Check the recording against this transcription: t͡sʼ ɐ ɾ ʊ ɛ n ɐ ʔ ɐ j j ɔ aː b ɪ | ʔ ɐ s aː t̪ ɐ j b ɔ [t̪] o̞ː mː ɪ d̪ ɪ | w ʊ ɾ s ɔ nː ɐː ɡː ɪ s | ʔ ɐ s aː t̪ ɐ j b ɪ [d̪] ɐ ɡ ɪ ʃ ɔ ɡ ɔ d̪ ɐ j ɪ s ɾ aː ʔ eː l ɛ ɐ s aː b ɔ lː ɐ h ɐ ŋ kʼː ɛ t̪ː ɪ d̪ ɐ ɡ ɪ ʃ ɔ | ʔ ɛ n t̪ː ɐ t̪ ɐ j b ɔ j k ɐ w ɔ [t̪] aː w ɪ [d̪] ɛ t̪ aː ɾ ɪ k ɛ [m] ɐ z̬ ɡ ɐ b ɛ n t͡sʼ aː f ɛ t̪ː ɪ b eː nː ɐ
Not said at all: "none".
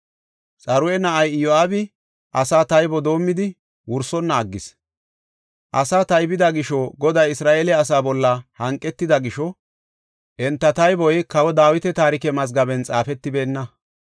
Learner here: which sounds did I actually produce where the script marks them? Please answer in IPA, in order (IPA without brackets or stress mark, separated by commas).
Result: d̪, d̪, d̪, t̪, m